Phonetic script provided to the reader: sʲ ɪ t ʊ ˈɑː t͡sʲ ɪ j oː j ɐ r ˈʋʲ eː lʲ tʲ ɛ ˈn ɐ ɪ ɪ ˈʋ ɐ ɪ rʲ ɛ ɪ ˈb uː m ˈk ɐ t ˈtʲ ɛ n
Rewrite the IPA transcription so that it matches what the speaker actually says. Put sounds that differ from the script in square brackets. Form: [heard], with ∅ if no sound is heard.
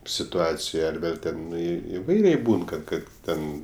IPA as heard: sʲ ɪ t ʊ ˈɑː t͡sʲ ɪ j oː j ɐ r ˈʋʲ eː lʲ tʲ ɛ ˈn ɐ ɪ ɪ ˈʋ ɐ ɪ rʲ ɛ ɪ ˈb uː [n] ˈk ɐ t ˈtʲ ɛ n